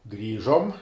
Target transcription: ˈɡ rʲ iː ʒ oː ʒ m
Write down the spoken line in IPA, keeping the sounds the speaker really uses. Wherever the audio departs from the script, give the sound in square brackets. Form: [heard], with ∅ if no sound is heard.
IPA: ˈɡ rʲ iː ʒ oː [∅] m